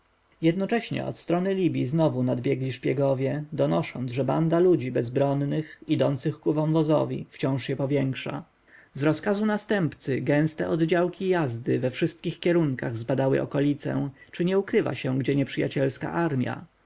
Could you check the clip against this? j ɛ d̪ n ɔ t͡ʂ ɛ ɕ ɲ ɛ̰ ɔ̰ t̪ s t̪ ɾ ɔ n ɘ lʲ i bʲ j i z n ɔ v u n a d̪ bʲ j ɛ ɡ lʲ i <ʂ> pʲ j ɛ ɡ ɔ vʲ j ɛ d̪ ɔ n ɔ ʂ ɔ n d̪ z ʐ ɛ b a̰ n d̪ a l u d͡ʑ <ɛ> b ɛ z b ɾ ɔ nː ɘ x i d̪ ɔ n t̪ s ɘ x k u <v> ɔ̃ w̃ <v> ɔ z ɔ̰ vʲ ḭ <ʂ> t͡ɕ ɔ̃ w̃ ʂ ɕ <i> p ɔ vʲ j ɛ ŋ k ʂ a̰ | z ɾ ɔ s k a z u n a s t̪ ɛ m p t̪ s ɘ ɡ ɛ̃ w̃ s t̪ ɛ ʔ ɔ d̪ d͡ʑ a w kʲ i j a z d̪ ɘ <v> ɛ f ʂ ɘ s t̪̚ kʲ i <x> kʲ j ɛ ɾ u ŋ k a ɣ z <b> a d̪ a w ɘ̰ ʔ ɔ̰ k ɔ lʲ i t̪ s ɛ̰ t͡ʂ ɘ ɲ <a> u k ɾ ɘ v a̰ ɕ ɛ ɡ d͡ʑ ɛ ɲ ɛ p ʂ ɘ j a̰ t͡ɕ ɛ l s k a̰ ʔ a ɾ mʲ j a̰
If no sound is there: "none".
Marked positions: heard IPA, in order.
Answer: ʂ, i, v, v, f, ɛ, v, x, b, ɛ

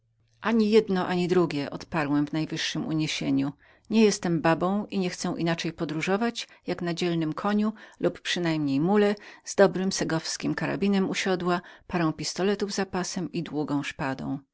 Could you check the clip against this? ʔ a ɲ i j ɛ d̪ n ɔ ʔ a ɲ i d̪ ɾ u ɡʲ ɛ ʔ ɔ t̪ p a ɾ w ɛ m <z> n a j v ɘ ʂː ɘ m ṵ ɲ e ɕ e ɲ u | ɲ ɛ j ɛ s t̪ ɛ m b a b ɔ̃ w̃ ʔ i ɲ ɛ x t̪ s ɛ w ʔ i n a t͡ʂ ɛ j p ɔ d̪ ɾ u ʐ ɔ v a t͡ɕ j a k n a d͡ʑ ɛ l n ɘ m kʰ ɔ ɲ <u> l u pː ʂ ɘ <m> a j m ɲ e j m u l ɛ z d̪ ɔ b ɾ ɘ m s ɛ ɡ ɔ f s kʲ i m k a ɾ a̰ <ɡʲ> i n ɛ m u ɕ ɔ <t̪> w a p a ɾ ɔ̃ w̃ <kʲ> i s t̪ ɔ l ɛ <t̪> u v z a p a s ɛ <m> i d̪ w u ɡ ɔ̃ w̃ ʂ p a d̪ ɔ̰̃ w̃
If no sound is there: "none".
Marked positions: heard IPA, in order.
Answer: v, u, n, bʲ, d̪, pʲ, t̪, m

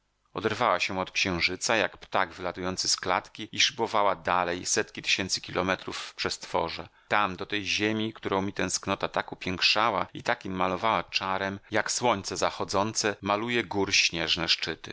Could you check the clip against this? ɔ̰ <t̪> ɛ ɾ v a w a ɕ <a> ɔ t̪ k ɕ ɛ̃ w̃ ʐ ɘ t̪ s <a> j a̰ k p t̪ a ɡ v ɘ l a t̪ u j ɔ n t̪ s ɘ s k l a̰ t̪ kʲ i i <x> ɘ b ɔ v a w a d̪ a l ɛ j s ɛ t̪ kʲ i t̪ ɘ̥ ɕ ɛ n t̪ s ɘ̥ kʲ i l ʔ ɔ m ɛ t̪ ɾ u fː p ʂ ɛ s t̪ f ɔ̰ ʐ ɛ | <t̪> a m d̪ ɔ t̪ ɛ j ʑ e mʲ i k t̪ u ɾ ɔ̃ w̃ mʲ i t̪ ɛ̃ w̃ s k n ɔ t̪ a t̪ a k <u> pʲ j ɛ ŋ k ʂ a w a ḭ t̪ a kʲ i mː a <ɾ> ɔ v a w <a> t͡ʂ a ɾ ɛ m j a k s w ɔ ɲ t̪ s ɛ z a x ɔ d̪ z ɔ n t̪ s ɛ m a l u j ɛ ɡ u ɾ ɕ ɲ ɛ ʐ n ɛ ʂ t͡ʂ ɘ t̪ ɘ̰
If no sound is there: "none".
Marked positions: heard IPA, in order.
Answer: d̪, ɛ, a, ʂ, t̪, u, l, a

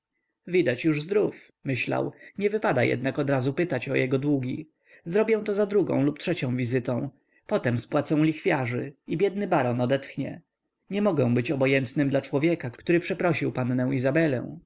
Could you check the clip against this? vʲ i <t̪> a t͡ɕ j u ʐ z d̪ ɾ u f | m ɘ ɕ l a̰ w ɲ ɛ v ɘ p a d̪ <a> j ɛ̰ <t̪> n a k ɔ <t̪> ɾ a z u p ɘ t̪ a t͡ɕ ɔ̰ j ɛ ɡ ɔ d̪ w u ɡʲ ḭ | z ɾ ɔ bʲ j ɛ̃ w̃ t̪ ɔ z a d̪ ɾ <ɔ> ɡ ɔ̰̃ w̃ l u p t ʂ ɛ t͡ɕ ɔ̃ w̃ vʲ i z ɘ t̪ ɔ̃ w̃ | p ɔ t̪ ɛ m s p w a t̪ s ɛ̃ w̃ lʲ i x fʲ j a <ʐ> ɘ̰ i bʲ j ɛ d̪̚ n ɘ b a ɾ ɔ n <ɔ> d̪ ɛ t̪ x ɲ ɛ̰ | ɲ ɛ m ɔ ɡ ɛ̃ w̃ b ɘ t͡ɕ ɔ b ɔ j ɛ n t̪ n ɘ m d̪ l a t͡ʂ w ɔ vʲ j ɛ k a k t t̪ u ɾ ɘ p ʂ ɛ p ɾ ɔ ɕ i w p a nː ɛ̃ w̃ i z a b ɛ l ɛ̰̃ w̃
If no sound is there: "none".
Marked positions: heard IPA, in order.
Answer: d̪, a, d̪, d̪, u, ʐ, ɔ

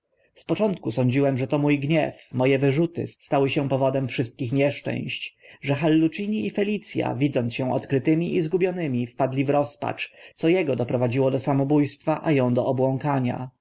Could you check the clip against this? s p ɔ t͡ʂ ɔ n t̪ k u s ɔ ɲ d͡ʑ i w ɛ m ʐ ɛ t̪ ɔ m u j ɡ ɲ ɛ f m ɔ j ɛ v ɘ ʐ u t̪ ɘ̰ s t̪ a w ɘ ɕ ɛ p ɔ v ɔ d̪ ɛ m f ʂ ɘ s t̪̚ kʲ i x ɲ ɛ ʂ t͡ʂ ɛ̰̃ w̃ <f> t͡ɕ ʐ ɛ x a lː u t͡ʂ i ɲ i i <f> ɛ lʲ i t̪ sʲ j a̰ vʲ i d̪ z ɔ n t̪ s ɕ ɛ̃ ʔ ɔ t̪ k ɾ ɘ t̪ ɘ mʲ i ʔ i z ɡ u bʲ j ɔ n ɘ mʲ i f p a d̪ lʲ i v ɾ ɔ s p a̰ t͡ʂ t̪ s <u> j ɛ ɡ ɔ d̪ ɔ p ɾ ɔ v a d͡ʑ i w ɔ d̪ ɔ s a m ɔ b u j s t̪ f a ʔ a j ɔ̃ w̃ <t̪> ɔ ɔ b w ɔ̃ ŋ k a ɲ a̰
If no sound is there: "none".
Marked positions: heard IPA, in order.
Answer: ɕ, f, ɔ, d̪

